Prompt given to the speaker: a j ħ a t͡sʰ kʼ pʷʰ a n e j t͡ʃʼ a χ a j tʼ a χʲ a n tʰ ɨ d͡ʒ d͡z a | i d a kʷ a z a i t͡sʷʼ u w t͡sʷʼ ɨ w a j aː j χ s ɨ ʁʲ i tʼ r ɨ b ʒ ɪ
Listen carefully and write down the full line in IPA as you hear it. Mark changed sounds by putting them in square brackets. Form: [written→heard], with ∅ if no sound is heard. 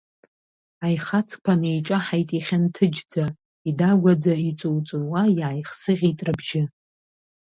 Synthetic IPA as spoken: a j [ħ→χ] a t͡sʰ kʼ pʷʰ a n e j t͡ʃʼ a [χ→ħ] a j tʼ [a→i] χʲ a n tʰ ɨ d͡ʒ d͡z a | i d a [kʷ→ɡʷ] a [z→d͡z] a i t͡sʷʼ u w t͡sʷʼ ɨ w a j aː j χ s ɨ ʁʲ i tʼ r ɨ b ʒ ɪ